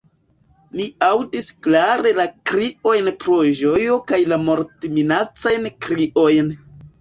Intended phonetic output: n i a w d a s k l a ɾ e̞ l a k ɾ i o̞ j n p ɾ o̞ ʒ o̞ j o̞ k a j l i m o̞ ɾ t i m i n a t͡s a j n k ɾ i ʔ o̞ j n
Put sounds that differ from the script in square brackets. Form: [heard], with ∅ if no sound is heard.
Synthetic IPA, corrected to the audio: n i a w d [i] s k l a ɾ e̞ l a k ɾ i o̞ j n p ɾ o̞ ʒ o̞ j o̞ k a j l [a] m o̞ ɾ t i m i n a t͡s a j n k ɾ i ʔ o̞ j n